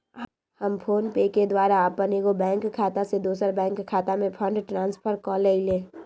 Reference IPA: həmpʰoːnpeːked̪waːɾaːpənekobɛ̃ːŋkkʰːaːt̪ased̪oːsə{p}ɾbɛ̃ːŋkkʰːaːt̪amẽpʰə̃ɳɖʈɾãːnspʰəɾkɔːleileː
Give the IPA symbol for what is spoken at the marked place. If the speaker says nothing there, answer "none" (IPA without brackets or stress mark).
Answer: none